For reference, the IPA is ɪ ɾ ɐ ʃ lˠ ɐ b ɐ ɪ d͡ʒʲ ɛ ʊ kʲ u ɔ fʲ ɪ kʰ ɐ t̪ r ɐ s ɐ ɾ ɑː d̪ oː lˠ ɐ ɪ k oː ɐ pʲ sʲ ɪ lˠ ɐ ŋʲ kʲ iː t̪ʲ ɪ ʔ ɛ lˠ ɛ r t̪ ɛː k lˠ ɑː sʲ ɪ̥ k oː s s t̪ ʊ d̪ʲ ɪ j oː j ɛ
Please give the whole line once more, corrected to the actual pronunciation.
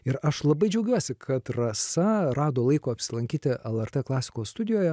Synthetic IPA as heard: ɪ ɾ ɐ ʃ lˠ ɐ b ɐ ɪ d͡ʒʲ ɛ ʊ ɡʲ u ɔ sʲ ɪ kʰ ɐ t̪ r ɐ s ɐ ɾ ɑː d̪ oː lˠ ɐ ɪ k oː ɐ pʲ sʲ ɪ lˠ ɐ ŋʲ kʲ iː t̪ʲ ɪ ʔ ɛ lˠ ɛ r t̪ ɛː k lˠ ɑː sʲ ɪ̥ k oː s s t̪ ʊ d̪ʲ ɪ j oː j ɛ